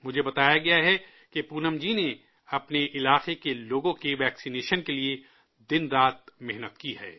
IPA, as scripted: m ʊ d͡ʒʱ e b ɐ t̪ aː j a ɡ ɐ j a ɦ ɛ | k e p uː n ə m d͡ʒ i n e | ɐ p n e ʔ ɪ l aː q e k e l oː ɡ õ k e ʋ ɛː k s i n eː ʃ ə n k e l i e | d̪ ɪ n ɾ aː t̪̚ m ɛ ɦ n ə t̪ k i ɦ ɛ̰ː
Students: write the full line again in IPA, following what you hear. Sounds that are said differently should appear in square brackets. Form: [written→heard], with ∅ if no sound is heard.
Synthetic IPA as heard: m ʊ d͡ʒʱ e b ɐ t̪ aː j a ɡ ɐ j a ɦ ɛ | k e p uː n ə m d͡ʒ i n e | ɐ p n e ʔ ɪ l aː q e k e l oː ɡ õ k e ʋ ɛː k s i n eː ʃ ə n k e l i e | d̪ ɪ n ɾ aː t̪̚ m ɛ ɦ n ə t̪ k i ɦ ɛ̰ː